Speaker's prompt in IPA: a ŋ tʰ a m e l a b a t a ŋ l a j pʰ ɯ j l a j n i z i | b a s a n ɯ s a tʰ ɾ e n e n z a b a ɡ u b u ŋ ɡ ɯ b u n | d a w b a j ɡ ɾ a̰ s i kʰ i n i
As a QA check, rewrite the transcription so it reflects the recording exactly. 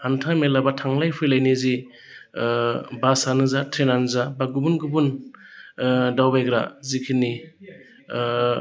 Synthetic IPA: a n tʰ a m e l a b a tʰ a ŋ l a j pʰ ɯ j l a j n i z i | b a s a n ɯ z a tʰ ɾ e n a n z a b a ɡ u b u n ɡ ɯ b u n | d a w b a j ɡ ɾ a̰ z i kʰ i n i